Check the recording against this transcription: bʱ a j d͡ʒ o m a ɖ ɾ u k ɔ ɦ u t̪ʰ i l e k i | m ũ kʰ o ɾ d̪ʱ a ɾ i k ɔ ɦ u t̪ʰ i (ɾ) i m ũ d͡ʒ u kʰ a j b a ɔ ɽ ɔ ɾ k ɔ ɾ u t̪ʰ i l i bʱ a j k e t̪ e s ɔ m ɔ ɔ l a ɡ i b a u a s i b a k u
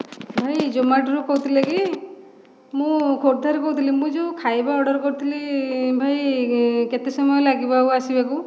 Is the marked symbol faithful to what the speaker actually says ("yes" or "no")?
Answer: no